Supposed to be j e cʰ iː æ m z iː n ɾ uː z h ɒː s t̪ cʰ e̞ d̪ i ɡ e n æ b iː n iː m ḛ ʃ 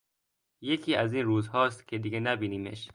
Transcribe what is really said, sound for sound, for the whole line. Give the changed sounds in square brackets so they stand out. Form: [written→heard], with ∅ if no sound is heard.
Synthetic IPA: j e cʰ iː æ [m→∅] z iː n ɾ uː z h ɒː s t̪ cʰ e̞ d̪ i ɡ e n æ b iː n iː m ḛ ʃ